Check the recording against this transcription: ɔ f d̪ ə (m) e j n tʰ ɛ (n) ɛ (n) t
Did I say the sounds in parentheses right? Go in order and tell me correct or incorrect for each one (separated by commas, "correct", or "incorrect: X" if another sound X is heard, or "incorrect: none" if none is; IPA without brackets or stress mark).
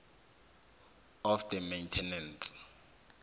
correct, correct, correct